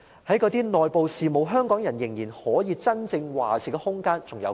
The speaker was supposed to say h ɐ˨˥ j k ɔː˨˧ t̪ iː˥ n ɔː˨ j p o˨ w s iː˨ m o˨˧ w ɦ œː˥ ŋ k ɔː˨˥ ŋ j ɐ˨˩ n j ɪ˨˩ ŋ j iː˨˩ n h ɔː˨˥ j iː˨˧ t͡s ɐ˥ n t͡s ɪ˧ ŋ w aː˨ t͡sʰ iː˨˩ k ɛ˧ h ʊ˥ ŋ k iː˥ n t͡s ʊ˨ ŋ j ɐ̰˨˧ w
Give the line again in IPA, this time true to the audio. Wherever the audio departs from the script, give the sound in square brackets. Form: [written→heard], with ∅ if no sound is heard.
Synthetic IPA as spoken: h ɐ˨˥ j k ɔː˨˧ t̪ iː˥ n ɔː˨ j p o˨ w s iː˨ m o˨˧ w ɦ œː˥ ŋ k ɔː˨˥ ŋ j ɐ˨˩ n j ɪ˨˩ ŋ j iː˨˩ n h ɔː˨˥ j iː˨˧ t͡s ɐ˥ n t͡s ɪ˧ ŋ w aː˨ t͡sʰ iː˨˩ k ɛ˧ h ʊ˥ ŋ k [iː˥→aː˥] n t͡s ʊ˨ ŋ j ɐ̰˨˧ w